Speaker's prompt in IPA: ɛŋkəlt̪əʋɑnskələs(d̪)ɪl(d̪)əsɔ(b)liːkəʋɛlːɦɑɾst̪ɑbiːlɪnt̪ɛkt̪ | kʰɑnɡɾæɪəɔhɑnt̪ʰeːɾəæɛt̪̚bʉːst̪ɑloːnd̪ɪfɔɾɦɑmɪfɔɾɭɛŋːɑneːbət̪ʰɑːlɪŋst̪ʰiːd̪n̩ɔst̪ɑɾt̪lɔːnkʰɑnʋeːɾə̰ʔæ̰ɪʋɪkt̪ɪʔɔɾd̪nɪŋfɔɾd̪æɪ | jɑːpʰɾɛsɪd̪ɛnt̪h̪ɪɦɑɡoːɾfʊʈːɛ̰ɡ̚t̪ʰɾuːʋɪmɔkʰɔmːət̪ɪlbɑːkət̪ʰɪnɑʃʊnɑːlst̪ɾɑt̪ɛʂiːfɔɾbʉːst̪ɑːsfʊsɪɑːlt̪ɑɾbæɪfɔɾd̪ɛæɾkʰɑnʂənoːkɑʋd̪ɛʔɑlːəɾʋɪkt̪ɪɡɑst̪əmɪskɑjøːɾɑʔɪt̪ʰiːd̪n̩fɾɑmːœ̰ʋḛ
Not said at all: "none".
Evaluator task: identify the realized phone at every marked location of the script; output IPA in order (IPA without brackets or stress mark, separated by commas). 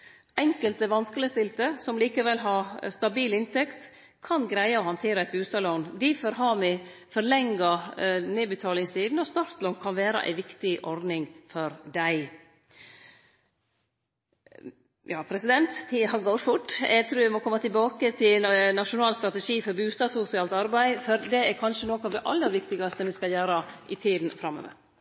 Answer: t̪, t̪, m